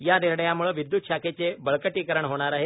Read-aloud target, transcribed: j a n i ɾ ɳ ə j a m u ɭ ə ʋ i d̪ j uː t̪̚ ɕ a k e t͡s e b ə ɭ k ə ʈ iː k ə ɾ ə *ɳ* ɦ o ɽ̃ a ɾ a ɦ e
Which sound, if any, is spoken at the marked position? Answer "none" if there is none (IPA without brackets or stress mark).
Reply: ɳ